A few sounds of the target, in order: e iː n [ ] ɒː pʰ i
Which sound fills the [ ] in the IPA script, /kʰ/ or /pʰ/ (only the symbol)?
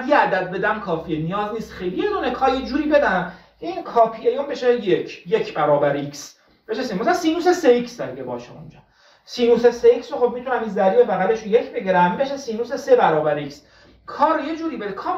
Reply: kʰ